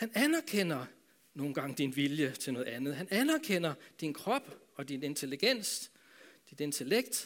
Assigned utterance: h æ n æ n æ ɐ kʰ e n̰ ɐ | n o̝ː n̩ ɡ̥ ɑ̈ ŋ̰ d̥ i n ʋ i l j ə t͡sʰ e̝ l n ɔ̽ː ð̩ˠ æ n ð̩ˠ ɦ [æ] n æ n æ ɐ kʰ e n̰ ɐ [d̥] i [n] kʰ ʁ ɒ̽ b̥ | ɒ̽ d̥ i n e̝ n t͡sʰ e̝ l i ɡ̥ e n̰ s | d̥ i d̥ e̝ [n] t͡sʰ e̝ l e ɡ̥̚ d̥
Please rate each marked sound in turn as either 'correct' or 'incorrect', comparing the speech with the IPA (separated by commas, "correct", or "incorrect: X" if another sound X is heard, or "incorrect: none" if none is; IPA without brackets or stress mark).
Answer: correct, correct, correct, correct